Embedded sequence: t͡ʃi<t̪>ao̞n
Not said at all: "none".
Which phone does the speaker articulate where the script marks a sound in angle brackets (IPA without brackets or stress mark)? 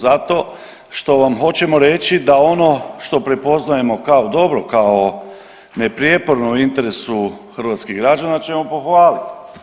d̪